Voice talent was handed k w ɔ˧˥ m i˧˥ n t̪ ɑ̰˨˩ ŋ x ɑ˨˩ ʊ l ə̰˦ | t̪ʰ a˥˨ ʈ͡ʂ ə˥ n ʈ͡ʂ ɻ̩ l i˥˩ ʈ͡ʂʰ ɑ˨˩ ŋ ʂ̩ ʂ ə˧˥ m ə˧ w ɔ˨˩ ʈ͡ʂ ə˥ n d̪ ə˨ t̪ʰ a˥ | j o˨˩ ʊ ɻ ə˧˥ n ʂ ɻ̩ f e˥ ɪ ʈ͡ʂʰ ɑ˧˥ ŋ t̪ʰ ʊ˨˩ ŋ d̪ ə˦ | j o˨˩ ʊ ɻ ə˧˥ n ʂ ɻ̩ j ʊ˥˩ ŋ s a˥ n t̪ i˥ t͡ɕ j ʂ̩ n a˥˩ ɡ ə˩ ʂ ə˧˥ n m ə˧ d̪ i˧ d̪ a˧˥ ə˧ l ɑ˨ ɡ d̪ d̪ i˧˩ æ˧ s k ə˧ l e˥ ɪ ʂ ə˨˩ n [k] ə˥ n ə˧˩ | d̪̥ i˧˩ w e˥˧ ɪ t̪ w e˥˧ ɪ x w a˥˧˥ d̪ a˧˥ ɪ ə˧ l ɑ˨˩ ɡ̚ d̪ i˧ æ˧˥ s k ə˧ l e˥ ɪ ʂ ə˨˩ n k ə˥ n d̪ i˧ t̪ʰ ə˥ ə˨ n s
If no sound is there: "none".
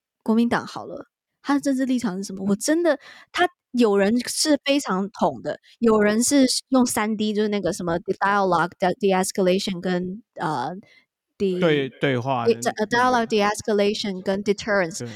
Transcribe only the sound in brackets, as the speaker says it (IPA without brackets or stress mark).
k